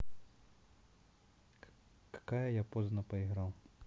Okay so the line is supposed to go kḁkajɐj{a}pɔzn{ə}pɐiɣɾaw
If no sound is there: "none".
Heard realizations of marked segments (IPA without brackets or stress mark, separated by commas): a, ɐ